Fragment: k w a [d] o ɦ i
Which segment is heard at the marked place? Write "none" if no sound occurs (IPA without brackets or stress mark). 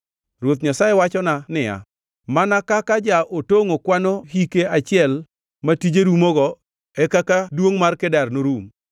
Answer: n